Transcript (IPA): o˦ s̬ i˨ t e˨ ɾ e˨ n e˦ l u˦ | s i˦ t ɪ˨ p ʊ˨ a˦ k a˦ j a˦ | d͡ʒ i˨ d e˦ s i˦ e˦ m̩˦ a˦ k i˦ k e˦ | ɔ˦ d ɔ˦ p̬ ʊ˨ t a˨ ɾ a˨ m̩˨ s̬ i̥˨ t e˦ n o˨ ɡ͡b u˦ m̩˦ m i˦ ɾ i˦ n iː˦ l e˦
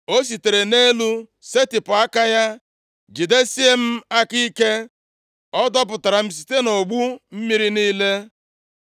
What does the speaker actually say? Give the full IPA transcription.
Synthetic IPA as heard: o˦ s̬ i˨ t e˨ ɾ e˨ n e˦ l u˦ | s e˦ t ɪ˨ p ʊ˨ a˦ k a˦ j a˦ | d͡ʒ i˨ d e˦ s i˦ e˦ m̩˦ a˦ k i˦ k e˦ | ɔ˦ d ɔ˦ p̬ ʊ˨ t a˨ ɾ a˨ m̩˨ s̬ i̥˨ t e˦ n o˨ ɡ͡b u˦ m̩˦ m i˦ ɾ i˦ n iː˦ l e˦

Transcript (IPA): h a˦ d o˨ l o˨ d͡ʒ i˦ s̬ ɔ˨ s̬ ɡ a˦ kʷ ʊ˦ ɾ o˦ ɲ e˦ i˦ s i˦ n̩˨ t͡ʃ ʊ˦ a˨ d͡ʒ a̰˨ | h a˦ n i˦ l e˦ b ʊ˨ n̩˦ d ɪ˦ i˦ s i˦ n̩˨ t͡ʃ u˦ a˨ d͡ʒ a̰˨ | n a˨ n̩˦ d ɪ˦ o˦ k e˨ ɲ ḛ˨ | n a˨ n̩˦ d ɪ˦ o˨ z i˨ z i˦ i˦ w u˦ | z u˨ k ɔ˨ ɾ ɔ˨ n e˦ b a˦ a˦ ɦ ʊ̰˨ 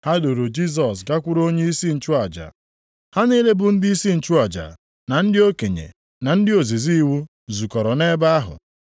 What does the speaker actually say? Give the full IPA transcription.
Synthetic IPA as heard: h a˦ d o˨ ɾ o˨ d͡ʒ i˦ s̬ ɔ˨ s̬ ɡ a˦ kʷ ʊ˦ ɾ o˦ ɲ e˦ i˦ s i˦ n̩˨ t͡ʃ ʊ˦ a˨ d͡ʒ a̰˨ | h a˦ n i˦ l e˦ b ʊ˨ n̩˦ d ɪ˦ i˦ s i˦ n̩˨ t͡ʃ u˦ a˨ d͡ʒ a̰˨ | n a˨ n̩˦ d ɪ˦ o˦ k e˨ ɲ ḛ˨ | n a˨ n̩˦ d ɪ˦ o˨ z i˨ z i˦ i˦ w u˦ | z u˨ k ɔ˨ ɾ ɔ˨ n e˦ b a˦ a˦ ɦ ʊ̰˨

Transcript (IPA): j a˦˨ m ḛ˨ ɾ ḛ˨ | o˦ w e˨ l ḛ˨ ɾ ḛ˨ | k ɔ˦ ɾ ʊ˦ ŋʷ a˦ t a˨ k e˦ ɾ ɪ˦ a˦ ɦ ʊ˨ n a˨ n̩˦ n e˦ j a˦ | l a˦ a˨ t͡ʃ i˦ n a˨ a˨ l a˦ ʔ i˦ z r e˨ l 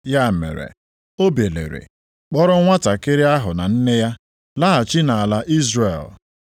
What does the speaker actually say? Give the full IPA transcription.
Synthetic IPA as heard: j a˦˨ m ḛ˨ ɾ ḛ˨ | o˦ b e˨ l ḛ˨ ɾ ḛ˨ | k͡p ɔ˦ ɾ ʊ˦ ŋʷ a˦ t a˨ k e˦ ɾ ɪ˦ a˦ ɦ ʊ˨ n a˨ n̩˦ n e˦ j a˦ | l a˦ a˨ t͡ʃ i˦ n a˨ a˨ l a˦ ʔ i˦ z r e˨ l

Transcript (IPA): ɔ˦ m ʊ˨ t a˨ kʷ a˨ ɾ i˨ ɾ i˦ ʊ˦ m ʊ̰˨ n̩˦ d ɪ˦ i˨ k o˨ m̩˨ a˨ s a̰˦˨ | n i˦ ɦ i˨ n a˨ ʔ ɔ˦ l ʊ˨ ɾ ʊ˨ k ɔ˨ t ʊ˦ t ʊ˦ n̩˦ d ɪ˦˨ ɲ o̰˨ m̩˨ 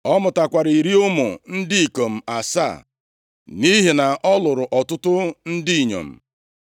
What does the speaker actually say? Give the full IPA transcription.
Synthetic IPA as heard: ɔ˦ m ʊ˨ t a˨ kʷ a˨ ɾ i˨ ɾ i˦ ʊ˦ m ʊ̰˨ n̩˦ d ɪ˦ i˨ k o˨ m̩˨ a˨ s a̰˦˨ | n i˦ ɦ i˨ n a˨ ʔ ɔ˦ l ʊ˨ ɾ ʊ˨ ʔ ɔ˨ t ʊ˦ t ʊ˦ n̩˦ d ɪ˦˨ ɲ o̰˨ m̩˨

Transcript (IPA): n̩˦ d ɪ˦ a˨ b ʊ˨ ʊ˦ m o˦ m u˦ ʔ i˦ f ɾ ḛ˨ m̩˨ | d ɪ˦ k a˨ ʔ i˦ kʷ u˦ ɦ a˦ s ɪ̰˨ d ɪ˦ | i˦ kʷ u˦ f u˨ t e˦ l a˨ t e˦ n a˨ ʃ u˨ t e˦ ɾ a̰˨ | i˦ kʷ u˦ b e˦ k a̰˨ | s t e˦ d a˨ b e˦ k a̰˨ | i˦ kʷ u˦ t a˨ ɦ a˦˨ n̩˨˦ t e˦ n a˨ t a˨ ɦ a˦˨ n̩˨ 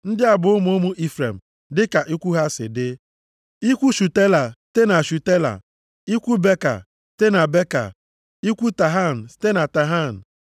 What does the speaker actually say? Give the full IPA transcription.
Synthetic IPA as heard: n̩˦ d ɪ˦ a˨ b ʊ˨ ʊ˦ m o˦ m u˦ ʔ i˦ f ɾ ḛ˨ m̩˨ | d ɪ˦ k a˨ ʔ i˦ kʷ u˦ ɦ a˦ s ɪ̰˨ d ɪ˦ | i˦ kʷ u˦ ʃ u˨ t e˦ l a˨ t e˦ n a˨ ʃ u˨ t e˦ l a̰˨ | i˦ kʷ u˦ b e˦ k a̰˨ | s t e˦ n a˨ b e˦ k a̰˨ | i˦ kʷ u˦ t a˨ ɦ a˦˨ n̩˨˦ t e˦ n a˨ t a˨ ɦ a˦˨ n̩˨

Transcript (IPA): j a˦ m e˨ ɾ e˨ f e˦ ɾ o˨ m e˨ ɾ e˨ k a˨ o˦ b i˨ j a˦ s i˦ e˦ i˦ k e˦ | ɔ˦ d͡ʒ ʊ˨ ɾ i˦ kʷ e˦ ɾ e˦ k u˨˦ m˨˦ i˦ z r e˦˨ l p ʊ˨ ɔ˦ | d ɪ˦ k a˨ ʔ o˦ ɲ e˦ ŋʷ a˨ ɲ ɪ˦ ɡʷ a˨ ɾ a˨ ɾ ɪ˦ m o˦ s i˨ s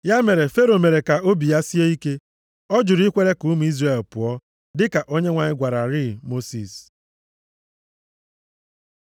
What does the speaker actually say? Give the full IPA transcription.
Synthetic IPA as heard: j a˦ m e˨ ɾ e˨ f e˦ ɾ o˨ m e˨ ɾ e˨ k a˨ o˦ b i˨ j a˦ s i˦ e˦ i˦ k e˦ | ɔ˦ d͡ʒ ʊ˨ ɾ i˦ kʷ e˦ ɾ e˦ k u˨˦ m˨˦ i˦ z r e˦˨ l p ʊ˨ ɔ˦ | d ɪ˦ k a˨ ʔ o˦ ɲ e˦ ŋʷ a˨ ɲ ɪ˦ ɡʷ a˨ ɾ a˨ ɾ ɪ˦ m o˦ s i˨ s

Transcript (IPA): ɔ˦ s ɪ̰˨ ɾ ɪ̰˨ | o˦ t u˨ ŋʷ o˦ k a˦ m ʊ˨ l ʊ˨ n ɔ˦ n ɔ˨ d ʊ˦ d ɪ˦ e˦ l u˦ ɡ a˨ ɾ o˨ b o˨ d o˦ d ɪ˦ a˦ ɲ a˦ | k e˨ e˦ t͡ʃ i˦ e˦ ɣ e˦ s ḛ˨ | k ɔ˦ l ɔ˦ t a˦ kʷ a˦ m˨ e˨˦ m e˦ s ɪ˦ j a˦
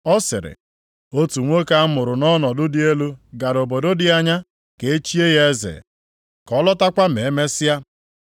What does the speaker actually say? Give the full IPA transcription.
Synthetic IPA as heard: ɔ˦ s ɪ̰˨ ɾ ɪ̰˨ | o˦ t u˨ ŋʷ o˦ k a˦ m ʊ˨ ɾ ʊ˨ n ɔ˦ n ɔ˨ d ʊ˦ d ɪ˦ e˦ l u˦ ɡ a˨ ɾ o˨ b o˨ d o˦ d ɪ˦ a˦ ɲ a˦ | k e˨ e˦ t͡ʃ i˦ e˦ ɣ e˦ z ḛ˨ | k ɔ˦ l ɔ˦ t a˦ kʷ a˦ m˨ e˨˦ m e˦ s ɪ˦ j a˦

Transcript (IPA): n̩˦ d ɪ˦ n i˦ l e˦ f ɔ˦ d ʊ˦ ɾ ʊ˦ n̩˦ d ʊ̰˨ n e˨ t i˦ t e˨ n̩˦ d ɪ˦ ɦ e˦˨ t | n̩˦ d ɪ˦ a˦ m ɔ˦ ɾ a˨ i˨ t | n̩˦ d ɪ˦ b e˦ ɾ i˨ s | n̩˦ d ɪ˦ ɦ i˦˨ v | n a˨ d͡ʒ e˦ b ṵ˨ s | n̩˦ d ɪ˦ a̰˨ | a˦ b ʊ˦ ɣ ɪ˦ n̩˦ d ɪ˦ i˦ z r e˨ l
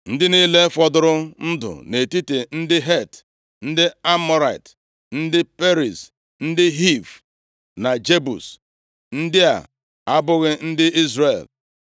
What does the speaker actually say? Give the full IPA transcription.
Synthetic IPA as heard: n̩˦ d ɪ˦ n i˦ l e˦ f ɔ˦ d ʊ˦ ɾ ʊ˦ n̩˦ d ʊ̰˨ n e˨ t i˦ t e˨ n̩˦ d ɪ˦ ɦ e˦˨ t | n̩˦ d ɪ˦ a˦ m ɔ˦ ɾ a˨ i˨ t | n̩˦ d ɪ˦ p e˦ ɾ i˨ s | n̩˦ d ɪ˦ ɦ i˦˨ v | n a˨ d͡ʒ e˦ b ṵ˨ s | n̩˦ d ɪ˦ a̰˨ | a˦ b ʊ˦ ɣ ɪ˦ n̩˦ d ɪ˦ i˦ z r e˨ l

